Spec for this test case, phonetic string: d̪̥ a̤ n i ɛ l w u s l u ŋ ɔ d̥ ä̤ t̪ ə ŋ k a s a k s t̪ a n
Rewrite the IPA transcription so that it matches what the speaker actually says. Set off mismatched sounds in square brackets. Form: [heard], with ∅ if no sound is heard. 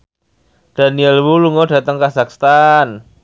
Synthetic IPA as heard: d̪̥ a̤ n i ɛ l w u [∅] l u ŋ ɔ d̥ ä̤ t̪ ə ŋ k a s a k s t̪ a n